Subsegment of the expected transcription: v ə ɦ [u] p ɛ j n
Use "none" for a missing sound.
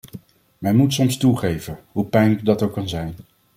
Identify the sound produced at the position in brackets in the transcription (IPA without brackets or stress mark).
u